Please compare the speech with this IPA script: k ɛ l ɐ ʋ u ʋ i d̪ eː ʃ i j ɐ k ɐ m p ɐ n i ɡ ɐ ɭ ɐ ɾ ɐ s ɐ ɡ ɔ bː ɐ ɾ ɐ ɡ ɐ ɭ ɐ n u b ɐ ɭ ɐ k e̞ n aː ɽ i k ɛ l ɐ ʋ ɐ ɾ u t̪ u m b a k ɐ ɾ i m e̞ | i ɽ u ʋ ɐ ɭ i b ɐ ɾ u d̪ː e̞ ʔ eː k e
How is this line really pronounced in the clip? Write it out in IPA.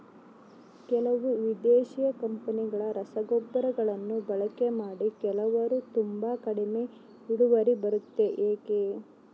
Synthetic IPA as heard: k ɛ l ɐ ʋ u ʋ i d̪ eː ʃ i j ɐ k ɐ m p ɐ n i ɡ ɐ ɭ ɐ ɾ ɐ s ɐ ɡ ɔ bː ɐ ɾ ɐ ɡ ɐ ɭ ɐ nː u b ɐ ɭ ɐ k e̞ m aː ɽ i k ɛ l ɐ ʋ ɐ ɾ u t̪ u m b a k ɐ ɽ i m e̞ | i ɽ u ʋ ɐ ɾ i b ɐ ɾ u t̪ː e̞ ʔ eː k e